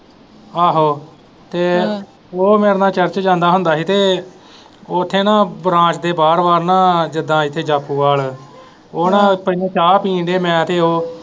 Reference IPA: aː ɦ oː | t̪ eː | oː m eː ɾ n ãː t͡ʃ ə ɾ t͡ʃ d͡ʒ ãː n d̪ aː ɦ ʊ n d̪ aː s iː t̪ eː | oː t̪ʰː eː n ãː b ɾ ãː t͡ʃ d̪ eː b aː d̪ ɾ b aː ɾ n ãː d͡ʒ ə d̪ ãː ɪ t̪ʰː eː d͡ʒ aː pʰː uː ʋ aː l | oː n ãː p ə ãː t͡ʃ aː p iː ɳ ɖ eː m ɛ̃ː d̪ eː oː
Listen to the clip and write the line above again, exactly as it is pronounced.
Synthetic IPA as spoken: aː ɦ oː | t̪ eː | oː m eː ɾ n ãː t͡ʃ ə ɾ t͡ʃ d͡ʒ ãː n d̪ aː ɦ ʊ n d̪ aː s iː t̪ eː | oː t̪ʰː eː n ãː b ɾ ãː t͡ʃ d̪ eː b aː ɾ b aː ɾ n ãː d͡ʒ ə d̪ ãː ɪ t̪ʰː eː d͡ʒ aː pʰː uː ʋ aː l | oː n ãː p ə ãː t͡ʃ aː p iː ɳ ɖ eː m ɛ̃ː t̪ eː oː